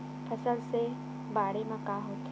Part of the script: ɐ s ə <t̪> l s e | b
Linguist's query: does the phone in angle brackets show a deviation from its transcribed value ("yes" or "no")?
yes